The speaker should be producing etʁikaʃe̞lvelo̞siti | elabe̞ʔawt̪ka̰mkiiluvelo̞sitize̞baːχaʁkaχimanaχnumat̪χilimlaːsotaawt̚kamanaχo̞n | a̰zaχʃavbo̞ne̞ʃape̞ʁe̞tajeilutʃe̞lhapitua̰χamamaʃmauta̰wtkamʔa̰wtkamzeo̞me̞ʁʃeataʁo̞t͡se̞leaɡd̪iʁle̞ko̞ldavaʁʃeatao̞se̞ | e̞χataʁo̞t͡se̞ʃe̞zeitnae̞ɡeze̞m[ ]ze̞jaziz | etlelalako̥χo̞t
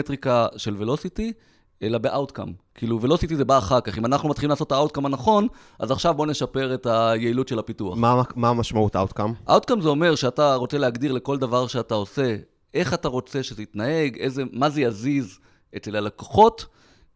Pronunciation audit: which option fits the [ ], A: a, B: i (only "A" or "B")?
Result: A